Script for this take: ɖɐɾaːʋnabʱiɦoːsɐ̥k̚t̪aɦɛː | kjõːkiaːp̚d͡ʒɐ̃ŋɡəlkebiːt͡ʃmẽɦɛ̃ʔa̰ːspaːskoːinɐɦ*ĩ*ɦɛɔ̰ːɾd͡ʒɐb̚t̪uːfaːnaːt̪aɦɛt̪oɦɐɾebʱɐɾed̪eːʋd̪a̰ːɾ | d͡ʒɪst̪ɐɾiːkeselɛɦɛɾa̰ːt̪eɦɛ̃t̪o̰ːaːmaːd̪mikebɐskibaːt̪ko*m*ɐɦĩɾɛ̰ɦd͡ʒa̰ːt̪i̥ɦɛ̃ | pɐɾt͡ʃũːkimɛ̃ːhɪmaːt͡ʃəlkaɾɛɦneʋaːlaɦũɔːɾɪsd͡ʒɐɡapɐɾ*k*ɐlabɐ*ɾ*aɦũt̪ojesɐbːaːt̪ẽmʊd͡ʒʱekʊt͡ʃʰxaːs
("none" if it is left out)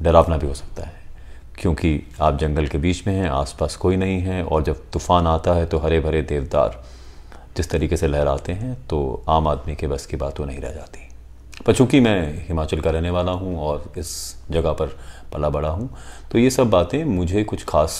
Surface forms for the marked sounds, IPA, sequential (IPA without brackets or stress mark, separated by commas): ĩ, n, p, ɽ